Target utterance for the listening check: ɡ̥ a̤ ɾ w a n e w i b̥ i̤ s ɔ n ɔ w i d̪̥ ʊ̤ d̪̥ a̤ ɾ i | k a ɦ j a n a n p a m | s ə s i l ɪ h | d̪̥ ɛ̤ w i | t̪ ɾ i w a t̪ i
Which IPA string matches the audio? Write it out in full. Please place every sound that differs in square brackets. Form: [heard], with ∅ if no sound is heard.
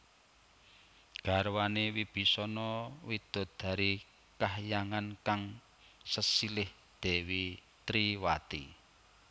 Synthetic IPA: ɡ̥ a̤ ɾ w a n e w i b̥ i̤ s ɔ n ɔ w i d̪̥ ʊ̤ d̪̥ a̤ ɾ i | k a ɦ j a [ŋ] a n [k] a [ŋ] | s ə s i l ɪ h | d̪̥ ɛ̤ w i | t̪ ɾ i w a t̪ i